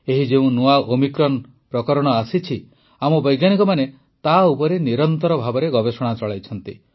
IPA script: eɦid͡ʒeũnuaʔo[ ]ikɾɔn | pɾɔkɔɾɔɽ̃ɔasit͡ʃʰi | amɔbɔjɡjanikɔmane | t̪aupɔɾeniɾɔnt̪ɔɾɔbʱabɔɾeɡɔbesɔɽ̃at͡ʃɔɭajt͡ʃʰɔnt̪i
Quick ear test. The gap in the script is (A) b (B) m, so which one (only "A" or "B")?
B